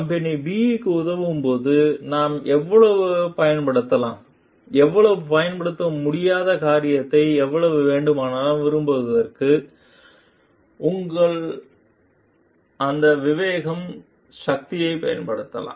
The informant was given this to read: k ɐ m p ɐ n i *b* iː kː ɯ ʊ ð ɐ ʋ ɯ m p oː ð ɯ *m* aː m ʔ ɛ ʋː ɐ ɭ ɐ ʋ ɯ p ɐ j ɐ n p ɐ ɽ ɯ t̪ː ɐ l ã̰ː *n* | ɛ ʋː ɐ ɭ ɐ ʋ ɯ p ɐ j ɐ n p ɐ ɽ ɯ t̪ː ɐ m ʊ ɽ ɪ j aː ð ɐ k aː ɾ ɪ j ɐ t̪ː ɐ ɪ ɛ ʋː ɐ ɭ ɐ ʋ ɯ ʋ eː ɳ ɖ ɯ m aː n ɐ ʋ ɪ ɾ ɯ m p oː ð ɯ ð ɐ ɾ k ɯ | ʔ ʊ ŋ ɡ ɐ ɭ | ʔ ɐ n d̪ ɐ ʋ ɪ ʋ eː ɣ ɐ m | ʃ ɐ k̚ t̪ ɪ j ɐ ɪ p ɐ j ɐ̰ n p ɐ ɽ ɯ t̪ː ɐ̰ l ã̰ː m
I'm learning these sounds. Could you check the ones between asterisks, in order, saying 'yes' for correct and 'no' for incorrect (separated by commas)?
yes, no, no